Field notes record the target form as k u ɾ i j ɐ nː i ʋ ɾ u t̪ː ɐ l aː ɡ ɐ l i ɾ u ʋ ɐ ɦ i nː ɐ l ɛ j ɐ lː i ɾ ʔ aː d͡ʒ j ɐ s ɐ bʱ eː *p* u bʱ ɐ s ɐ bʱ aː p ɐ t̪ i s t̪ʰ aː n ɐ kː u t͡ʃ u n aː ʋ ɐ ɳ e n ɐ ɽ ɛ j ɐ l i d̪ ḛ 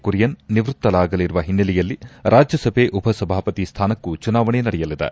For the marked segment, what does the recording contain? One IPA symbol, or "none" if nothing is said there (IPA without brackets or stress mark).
ʔ